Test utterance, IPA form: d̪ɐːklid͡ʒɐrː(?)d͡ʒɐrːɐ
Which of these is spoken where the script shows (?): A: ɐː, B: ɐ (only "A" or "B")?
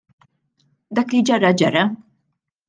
B